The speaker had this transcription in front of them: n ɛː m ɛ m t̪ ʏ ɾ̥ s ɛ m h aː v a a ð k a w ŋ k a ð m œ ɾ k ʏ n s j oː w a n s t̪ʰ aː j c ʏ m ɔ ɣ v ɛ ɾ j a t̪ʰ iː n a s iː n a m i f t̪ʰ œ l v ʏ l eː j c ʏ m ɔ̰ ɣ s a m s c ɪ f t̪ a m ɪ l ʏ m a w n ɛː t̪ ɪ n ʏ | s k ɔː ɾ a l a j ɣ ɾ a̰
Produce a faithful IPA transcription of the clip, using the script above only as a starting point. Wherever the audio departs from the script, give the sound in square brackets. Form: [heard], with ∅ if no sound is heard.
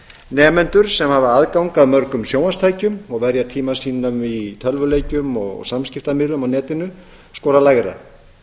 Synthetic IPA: n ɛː m ɛ [n] t̪ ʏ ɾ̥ s ɛ m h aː v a a ð k a w ŋ k a ð m œ ɾ k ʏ [m] s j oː w a n s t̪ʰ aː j c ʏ m ɔ ɣ v ɛ ɾ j a t̪ʰ iː [m] a s iː n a m i [∅] t̪ʰ œ l v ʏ l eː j c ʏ m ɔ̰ ɣ s a m s c ɪ f t̪ a m ɪ l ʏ m a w n ɛː t̪ ɪ n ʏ | s k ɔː ɾ a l a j ɣ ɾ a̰